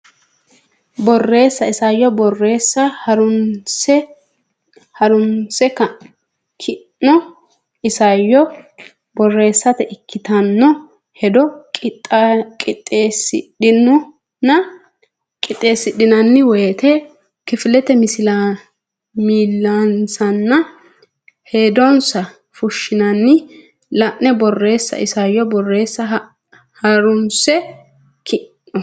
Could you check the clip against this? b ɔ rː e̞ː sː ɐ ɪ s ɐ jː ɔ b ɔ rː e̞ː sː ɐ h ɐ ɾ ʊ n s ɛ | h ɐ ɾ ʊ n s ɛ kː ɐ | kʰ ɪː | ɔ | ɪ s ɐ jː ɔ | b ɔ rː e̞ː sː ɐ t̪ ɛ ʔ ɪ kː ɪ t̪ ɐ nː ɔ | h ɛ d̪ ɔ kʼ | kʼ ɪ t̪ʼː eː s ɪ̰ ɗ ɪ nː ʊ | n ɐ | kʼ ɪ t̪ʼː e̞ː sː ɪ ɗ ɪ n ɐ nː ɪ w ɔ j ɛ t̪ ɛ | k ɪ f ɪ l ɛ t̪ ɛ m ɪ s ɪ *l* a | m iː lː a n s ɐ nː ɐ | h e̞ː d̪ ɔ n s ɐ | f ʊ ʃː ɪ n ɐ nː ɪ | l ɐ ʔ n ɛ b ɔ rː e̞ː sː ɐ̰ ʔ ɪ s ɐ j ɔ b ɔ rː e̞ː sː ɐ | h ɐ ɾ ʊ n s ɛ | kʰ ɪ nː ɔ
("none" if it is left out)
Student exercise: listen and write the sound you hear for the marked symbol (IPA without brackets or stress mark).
l